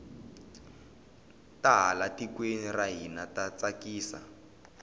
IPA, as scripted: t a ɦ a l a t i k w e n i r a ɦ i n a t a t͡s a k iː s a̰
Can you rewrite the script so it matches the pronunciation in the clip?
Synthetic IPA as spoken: t a ɦ a l a t i k w e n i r a ɦ i n a t a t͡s a k iː s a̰